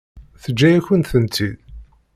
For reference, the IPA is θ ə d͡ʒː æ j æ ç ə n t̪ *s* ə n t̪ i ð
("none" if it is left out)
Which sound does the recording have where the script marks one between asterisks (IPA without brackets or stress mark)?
θ